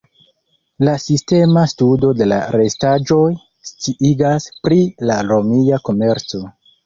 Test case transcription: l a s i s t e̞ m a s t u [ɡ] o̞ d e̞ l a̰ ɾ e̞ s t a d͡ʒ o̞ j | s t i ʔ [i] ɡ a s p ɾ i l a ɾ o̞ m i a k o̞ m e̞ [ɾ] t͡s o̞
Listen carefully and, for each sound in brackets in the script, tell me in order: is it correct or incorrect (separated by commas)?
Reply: incorrect, correct, correct